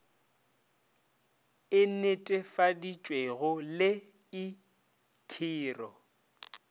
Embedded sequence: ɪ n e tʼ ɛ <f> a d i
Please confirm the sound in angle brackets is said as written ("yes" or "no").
yes